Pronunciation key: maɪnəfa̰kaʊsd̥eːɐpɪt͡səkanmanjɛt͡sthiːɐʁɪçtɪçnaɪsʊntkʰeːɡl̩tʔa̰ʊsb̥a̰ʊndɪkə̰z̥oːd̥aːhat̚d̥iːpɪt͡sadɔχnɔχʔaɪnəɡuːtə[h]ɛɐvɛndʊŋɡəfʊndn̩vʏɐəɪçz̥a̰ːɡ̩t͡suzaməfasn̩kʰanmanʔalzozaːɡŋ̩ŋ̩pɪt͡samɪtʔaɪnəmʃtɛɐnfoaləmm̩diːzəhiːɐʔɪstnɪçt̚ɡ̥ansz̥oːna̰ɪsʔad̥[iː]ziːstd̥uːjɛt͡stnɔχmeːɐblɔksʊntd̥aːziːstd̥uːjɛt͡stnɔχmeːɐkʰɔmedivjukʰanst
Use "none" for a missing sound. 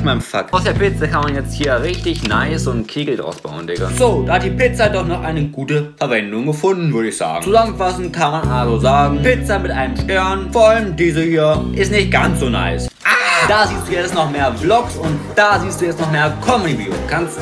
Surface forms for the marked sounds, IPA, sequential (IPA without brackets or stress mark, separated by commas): f, aː